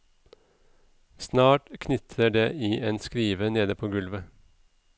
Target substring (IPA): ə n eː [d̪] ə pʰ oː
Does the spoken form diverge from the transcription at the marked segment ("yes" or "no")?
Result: no